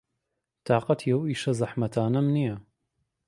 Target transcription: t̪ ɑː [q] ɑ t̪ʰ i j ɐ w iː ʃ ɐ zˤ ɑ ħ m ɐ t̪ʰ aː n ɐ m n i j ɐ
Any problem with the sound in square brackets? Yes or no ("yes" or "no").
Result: no